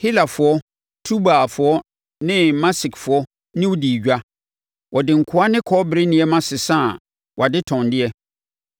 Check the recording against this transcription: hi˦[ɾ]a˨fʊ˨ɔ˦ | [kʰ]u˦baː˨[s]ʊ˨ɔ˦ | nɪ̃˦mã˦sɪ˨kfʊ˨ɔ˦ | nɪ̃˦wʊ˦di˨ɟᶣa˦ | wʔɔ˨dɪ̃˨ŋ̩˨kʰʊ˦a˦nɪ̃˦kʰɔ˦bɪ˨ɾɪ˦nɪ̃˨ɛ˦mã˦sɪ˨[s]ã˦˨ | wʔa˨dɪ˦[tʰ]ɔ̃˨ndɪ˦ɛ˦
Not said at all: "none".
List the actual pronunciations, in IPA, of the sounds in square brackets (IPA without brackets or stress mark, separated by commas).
l, tʰ, f, s, tʰ